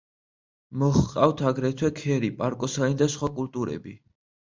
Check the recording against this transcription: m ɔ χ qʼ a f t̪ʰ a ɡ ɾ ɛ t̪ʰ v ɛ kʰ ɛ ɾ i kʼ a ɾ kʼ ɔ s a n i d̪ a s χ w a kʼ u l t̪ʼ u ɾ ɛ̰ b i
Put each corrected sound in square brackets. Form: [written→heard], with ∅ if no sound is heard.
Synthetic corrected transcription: m ɔ χ qʼ a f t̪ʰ a ɡ ɾ ɛ t̪ʰ [v→w] ɛ kʰ ɛ ɾ i [kʼ→pʼ] a ɾ kʼ ɔ s a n i d̪ a s χ w a kʼ u l t̪ʼ u ɾ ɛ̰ b i